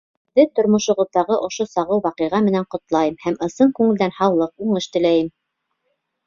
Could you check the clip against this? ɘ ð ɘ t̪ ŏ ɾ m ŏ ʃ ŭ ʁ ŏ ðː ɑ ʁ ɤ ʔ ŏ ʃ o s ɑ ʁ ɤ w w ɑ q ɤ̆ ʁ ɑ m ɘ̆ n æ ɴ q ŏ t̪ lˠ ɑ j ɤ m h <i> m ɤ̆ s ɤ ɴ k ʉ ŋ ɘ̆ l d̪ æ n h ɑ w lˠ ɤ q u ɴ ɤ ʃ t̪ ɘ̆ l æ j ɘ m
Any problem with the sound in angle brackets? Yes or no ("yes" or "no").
yes